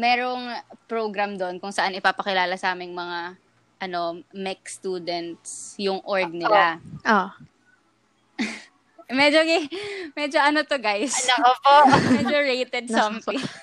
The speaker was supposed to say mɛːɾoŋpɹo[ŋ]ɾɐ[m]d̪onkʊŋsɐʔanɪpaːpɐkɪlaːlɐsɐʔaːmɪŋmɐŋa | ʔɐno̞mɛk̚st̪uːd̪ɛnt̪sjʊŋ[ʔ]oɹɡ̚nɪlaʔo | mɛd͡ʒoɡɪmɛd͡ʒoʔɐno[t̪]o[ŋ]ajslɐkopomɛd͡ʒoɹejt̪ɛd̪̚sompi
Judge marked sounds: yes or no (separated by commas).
no, yes, yes, yes, no